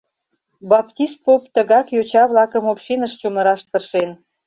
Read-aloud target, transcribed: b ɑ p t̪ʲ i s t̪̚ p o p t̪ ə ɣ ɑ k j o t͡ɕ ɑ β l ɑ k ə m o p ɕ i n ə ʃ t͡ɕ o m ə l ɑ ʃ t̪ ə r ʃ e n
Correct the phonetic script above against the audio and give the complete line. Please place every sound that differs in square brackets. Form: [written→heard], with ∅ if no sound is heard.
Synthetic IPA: b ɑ p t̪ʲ i s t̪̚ p o p t̪ ə ɣ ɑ k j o t͡ɕ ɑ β l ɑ k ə m o p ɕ i n ə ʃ t͡ɕ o m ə [l→ɾ] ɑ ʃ t̪ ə r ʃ e n